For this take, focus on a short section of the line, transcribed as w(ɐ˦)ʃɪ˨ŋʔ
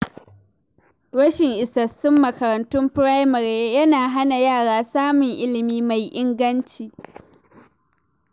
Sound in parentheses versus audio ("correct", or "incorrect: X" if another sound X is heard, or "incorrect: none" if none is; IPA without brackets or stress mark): correct